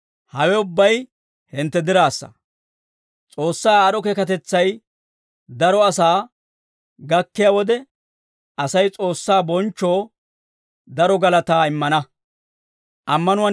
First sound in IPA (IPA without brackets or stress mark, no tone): h